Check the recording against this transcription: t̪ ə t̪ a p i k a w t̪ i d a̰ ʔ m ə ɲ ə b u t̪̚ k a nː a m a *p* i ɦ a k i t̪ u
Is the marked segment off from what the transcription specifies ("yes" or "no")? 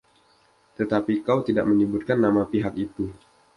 no